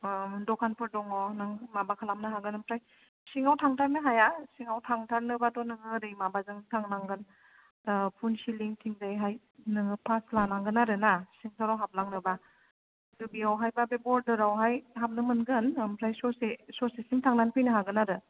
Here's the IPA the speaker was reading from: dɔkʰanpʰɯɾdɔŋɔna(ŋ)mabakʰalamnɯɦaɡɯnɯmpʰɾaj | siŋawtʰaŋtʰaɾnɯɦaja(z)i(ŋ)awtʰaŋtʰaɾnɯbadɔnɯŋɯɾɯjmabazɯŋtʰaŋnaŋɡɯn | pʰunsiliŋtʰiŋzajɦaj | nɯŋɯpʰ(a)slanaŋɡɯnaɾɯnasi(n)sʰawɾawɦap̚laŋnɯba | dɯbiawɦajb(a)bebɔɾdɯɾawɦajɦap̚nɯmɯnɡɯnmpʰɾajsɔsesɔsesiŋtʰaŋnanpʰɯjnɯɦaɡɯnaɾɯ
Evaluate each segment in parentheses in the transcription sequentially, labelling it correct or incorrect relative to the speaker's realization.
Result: correct, incorrect, correct, correct, incorrect, correct

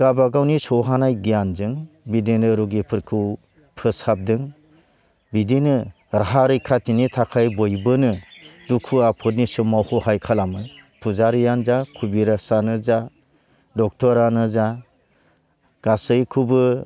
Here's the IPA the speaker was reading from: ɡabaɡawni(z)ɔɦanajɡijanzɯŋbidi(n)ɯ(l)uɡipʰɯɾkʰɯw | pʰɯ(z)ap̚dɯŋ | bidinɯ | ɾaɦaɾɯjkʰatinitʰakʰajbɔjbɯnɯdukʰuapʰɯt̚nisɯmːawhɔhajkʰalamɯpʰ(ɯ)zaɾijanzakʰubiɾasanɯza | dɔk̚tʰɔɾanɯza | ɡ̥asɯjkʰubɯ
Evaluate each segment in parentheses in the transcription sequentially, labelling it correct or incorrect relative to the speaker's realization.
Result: incorrect, correct, incorrect, incorrect, incorrect

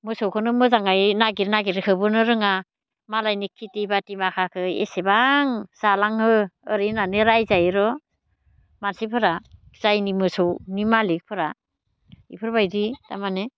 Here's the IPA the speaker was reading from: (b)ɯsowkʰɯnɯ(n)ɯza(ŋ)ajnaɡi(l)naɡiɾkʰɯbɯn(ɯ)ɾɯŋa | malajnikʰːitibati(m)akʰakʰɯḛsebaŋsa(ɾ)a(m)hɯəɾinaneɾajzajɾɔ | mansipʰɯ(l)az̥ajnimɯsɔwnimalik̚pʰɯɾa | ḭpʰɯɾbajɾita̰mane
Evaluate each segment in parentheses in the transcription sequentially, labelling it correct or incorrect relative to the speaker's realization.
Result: incorrect, incorrect, correct, incorrect, correct, correct, incorrect, incorrect, incorrect

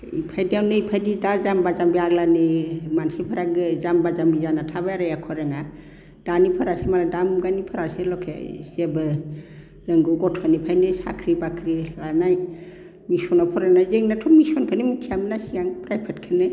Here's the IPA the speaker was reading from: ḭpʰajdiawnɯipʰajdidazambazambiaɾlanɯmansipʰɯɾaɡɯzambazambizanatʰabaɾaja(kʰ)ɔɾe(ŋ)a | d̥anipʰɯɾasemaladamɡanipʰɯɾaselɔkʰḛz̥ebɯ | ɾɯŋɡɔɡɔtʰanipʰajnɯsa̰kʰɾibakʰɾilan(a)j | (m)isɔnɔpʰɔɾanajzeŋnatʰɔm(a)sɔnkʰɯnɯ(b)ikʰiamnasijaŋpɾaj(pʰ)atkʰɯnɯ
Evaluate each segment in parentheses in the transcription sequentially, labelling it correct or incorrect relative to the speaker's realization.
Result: correct, correct, correct, correct, incorrect, incorrect, correct

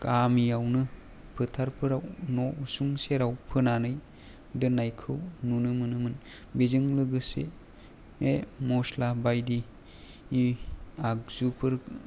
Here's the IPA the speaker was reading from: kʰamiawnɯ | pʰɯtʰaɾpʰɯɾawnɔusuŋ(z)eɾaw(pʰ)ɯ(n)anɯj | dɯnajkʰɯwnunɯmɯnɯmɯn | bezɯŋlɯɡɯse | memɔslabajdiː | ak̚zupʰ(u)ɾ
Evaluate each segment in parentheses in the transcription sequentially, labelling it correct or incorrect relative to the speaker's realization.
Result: incorrect, correct, correct, incorrect

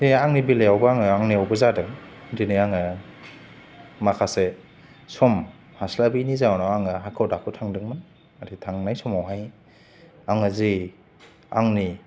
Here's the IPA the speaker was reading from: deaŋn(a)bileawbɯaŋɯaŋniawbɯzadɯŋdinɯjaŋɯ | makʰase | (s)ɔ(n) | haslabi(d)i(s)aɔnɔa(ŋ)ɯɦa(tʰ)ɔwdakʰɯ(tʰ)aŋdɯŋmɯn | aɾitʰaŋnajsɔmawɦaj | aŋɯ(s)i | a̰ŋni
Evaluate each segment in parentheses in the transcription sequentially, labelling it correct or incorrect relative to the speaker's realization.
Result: incorrect, correct, incorrect, incorrect, incorrect, correct, incorrect, correct, incorrect

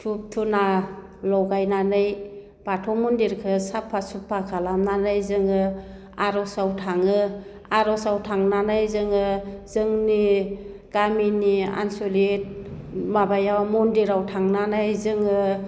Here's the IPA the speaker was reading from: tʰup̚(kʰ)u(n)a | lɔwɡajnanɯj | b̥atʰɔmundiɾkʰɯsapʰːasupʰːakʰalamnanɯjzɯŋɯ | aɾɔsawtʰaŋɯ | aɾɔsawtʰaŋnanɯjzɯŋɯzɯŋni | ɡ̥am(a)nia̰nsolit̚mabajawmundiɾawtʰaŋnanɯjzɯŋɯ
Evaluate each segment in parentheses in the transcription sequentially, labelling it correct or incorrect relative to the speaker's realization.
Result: incorrect, correct, incorrect

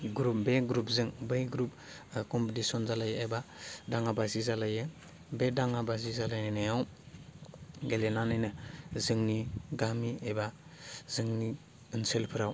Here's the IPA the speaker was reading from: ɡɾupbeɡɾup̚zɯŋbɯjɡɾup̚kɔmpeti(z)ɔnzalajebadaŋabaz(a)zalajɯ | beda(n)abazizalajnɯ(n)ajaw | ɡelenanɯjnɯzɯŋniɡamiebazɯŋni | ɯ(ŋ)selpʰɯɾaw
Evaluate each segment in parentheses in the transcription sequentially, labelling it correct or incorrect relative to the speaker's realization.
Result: incorrect, incorrect, incorrect, correct, incorrect

